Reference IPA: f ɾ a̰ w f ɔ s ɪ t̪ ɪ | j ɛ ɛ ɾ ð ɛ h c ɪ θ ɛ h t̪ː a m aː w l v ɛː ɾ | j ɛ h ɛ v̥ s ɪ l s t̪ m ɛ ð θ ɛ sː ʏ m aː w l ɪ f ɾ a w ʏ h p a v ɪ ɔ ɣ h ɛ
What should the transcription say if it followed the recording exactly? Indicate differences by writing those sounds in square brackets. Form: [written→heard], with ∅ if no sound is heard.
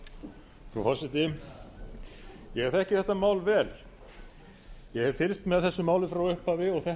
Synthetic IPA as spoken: f ɾ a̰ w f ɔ s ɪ t̪ ɪ | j ɛ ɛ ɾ [ð→θ] ɛ h c ɪ θ ɛ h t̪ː a m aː w l v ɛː [ɾ→l] | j ɛ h ɛ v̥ [s→f] ɪ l s t̪ m ɛ ð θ ɛ sː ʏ m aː w l ɪ f ɾ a w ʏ h p a v ɪ ɔ ɣ [h→θ] ɛ